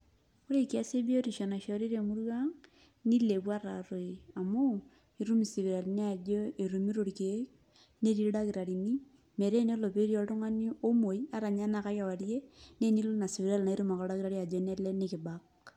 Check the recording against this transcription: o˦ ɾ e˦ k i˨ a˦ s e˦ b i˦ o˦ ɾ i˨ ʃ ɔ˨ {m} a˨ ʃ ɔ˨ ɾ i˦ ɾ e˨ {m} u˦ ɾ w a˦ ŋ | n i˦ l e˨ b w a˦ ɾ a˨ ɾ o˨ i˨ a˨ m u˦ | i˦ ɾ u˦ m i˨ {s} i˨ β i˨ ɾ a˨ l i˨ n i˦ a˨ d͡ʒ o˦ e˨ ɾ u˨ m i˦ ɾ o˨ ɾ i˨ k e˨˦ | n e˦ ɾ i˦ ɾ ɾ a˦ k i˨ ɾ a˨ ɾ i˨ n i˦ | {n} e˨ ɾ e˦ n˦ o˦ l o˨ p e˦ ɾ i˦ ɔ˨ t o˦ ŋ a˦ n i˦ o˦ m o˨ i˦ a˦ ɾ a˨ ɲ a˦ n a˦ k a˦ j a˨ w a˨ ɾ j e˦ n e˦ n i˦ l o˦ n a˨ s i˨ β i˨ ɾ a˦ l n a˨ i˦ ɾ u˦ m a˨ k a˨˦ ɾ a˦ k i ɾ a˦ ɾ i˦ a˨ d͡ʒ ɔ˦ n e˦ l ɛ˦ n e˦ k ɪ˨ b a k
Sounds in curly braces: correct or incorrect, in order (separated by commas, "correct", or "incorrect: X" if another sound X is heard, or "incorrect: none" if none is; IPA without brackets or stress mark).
incorrect: n, correct, correct, incorrect: m